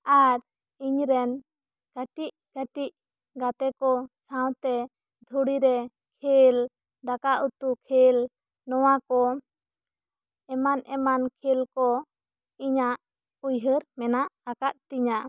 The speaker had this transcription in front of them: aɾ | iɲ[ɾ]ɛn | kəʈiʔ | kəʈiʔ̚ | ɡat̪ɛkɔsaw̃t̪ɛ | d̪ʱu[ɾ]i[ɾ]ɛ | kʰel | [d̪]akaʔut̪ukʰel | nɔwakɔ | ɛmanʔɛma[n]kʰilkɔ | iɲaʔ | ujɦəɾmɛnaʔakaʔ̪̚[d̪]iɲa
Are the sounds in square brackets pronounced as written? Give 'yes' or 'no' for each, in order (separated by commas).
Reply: yes, no, yes, yes, yes, no